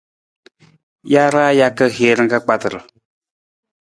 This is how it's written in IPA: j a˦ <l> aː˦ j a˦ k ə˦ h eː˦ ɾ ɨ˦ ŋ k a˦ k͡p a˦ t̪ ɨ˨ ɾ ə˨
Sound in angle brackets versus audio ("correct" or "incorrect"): incorrect